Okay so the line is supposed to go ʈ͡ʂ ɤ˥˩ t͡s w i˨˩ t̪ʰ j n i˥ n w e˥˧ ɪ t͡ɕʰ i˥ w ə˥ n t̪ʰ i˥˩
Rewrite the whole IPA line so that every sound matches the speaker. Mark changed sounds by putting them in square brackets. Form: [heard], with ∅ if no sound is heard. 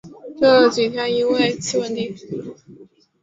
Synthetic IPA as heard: ʈ͡ʂ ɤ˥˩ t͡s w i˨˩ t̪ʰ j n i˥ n w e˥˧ ɪ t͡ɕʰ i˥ w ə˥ n [t̪] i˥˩